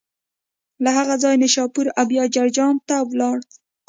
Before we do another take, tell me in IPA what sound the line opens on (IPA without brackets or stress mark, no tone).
l